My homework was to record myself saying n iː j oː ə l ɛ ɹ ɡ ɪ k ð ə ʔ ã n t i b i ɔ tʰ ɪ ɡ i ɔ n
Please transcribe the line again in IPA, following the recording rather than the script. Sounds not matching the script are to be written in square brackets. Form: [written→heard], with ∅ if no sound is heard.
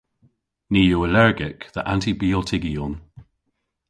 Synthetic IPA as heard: n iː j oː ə l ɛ ɹ ɡ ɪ k ð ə ʔ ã n t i b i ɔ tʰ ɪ ɡ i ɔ n

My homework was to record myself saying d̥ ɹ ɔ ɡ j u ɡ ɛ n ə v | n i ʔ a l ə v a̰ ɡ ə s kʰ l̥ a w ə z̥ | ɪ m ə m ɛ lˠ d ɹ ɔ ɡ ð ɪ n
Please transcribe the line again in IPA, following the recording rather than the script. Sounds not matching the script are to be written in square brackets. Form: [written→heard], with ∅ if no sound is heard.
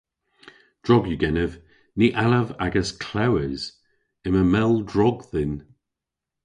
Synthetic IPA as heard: d̥ ɹ ɔ ɡ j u ɡ ɛ n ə v | n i ʔ a l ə v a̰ ɡ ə s kʰ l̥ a w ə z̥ | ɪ m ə m ɛ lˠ d ɹ ɔ ɡ ð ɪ n

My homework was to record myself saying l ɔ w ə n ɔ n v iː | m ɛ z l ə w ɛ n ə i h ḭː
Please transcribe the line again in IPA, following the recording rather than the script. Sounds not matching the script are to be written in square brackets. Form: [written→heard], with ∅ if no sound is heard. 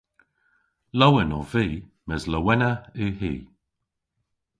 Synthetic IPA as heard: l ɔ w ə n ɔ [n→∅] v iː | m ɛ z l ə w ɛ n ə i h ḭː

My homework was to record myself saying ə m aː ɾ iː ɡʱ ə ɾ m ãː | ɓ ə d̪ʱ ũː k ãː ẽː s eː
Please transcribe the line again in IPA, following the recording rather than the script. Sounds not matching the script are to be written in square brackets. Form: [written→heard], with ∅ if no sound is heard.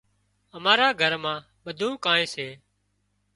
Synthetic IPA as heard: ə m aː ɾ [iː→aː] ɡʱ ə ɾ m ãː | ɓ ə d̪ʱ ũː k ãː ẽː s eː

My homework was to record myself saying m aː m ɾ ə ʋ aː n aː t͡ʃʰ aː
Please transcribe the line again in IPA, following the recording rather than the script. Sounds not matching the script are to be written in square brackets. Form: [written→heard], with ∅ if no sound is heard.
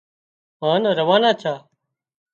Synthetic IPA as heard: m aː [m→n] ɾ ə ʋ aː n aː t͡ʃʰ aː

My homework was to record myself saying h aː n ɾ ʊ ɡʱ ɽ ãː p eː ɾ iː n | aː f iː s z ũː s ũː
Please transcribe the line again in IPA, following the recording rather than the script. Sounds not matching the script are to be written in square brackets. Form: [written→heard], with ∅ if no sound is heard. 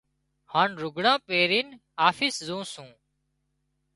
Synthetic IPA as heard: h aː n ɾ ʊ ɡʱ ɽ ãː p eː ɾ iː n | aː f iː s z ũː s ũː

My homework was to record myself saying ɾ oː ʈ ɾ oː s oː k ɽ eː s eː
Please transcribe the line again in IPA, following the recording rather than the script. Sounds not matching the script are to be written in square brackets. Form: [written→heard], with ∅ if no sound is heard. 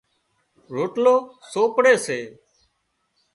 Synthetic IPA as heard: ɾ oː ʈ [ɾ→l] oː s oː [k→p] ɽ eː s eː

